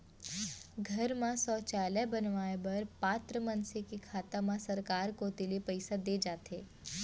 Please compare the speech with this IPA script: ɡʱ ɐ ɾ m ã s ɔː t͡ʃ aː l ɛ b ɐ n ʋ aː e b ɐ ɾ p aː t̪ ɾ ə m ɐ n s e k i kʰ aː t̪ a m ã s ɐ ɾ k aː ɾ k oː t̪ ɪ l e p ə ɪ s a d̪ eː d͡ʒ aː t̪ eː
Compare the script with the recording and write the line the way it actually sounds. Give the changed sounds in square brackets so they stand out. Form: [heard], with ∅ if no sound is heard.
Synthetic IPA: ɡʱ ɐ ɾ m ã s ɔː t͡ʃ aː l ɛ b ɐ n ʋ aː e b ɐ ɾ p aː t̪ ɾ ə m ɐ n s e k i kʰ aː t̪ a m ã s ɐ ɾ k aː ɾ k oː t̪ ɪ l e p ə ɪ s a d̪ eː d͡ʒ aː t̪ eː

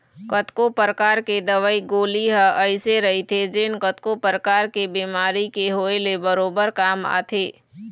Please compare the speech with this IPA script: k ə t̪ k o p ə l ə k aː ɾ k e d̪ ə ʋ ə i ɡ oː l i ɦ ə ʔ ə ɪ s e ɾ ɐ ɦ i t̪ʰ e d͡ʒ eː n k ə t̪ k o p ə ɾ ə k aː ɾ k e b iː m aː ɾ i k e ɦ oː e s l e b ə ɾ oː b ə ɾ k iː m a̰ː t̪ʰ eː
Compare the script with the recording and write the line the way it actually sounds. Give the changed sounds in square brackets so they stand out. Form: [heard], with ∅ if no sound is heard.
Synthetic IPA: k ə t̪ k o p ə [ɾ] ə k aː ɾ k e d̪ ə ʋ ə i ɡ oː l i ɦ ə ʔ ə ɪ s e ɾ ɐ ɦ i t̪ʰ e d͡ʒ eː n k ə t̪ k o p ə ɾ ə k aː ɾ k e b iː m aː ɾ i k e ɦ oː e [∅] l e b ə ɾ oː b ə ɾ k [aː] m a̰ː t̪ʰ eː

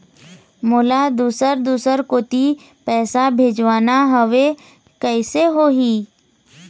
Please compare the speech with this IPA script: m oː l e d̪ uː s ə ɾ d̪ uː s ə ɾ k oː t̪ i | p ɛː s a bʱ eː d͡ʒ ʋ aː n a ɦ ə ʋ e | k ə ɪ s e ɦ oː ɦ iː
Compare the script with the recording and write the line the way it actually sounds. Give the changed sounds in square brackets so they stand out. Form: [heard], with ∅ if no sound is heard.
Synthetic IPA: m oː l [a] d̪ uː s ə ɾ d̪ uː s ə ɾ k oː t̪ i | p ɛː s a bʱ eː d͡ʒ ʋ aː n a ɦ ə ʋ e | k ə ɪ s e ɦ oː ɦ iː

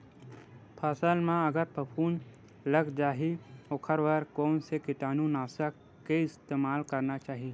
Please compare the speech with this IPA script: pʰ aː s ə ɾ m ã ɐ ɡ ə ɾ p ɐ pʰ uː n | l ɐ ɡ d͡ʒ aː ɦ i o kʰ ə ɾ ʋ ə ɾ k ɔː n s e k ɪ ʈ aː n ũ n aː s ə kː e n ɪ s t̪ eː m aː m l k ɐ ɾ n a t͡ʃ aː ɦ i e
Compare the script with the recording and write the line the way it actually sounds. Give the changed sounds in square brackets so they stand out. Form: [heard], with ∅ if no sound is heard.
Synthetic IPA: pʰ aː s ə [l] m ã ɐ ɡ ə ɾ p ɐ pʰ uː n | l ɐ ɡ d͡ʒ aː ɦ i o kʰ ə ɾ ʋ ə ɾ k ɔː n s e k ɪ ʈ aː n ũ n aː s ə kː e [∅] ɪ s t̪ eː m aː [∅] l k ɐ ɾ n a t͡ʃ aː ɦ i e

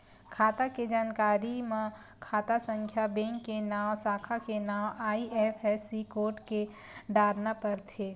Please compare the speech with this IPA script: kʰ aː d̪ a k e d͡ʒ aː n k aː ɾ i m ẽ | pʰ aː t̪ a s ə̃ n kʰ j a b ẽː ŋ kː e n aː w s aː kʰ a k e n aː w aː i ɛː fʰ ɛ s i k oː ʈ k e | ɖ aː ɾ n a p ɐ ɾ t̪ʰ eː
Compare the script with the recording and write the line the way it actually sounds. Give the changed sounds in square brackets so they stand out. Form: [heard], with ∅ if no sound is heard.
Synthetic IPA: kʰ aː [t̪] a k e d͡ʒ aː n k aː ɾ i m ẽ | [kʰ] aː t̪ a s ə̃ [ŋ] kʰ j a b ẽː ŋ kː e n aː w s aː kʰ a k e n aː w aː i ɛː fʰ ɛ s i k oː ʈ k e | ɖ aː ɾ n a p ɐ ɾ t̪ʰ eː

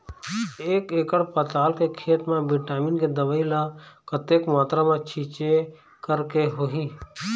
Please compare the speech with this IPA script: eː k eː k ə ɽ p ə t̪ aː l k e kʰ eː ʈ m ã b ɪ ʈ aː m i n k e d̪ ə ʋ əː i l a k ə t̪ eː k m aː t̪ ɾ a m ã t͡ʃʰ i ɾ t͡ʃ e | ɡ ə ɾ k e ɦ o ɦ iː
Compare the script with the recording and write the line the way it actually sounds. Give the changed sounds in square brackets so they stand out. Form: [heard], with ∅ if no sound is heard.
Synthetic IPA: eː k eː k ə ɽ p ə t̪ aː l k e kʰ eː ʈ m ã b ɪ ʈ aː m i n k e d̪ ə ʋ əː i l a k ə t̪ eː k m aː t̪ ɾ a m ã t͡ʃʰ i [∅] t͡ʃ e | [k] ə ɾ k e ɦ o ɦ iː

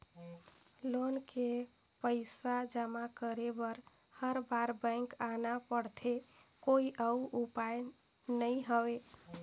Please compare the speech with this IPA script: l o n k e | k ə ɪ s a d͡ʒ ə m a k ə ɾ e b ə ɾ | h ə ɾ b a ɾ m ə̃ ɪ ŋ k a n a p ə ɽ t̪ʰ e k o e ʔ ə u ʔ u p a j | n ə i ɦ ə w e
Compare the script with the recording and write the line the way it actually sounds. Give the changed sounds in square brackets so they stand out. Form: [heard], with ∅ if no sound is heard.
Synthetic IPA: l o n k e | [p] ə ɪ s a d͡ʒ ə m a k ə ɾ e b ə ɾ | h ə ɾ b a ɾ [b] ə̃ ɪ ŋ k a n a p ə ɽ t̪ʰ e k o [i] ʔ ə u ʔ u p a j | n ə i ɦ ə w e

